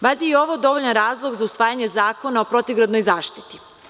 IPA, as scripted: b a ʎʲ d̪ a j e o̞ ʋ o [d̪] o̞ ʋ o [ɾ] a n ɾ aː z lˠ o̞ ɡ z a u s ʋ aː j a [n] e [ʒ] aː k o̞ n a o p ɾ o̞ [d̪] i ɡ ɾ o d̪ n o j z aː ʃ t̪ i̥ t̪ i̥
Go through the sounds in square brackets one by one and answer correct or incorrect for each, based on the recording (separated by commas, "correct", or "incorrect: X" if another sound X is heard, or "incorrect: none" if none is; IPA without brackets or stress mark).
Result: correct, incorrect: ʎ, incorrect: ɲ, incorrect: z, incorrect: t̪